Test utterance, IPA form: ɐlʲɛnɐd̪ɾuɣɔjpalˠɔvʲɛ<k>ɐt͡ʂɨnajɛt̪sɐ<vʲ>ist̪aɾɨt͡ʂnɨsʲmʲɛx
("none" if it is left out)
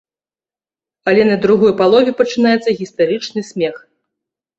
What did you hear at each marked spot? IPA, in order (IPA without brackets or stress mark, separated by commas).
p, ɣʲ